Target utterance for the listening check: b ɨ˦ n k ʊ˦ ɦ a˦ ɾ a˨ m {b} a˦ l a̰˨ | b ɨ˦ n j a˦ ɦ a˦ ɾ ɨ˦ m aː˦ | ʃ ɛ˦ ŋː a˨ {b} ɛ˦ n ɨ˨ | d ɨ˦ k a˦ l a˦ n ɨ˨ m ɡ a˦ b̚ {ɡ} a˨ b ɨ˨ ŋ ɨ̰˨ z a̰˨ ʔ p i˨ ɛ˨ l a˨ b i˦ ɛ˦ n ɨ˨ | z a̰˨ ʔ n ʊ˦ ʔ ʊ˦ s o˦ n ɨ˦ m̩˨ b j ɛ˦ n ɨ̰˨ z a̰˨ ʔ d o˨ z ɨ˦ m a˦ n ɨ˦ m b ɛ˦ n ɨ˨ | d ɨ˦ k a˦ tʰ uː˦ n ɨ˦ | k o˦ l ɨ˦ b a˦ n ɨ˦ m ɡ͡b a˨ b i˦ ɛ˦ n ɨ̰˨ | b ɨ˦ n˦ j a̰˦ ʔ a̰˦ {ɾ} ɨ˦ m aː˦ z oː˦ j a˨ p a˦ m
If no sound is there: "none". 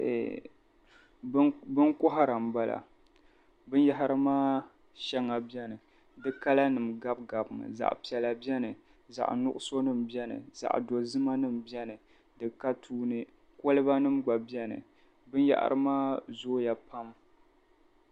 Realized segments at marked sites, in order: b, b, ɡ, ɾ

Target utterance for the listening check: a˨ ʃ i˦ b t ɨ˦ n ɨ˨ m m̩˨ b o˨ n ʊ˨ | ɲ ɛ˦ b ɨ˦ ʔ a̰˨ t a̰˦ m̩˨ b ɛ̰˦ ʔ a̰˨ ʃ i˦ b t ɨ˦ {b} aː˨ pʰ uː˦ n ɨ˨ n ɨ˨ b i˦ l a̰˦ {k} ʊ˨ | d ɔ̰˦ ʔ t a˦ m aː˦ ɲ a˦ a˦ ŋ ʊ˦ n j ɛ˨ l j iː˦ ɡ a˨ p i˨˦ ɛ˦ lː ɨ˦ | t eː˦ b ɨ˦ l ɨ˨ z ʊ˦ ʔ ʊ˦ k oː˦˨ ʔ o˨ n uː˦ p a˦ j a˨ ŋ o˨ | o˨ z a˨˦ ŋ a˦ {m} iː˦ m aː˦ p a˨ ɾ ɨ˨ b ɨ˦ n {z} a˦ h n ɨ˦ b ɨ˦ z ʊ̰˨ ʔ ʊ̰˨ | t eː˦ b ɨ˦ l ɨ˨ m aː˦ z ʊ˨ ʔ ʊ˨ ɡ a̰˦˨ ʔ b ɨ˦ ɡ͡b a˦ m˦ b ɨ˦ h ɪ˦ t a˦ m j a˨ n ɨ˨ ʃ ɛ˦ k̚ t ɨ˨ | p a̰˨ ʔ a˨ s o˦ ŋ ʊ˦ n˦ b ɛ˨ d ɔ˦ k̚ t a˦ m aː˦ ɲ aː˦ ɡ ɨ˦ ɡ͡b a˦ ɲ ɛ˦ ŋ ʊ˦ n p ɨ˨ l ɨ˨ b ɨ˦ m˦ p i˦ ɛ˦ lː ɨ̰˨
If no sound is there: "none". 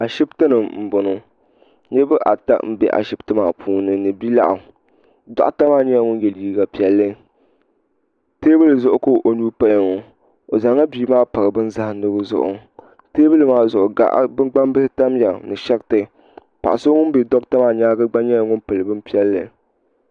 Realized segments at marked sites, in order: m, ʔ, b, z

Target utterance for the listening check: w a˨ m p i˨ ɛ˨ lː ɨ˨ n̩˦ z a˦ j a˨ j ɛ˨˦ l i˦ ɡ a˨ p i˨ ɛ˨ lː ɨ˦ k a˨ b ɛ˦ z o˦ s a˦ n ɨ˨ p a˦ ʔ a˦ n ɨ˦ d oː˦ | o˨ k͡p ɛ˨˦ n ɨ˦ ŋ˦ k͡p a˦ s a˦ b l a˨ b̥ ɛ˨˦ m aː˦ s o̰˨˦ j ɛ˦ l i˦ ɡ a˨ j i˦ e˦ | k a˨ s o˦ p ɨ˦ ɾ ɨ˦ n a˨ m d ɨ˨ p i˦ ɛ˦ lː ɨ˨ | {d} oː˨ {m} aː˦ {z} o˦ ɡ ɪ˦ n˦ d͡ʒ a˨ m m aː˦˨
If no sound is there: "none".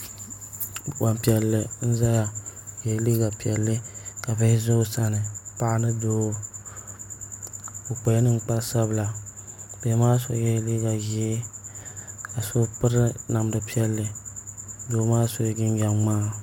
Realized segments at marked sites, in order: d, m, s

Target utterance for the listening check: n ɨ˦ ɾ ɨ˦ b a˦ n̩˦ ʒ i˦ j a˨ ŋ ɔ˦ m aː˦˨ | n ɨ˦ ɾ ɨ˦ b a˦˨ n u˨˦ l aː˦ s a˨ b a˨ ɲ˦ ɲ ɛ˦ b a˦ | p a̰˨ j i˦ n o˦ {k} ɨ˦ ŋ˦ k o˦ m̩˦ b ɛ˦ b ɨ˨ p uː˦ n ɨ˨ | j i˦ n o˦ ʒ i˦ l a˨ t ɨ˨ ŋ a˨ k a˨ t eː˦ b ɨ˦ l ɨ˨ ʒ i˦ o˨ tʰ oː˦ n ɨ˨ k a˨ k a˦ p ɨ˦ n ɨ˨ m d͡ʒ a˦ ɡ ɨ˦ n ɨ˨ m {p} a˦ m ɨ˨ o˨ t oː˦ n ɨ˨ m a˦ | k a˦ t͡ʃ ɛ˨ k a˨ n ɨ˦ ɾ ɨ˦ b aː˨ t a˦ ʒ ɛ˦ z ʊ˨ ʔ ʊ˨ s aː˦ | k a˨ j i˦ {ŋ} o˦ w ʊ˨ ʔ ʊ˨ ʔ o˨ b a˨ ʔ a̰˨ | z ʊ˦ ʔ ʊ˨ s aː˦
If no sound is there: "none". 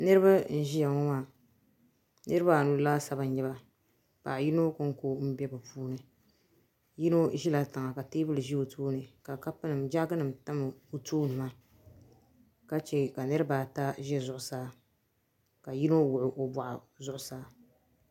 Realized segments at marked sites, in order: k, t, n

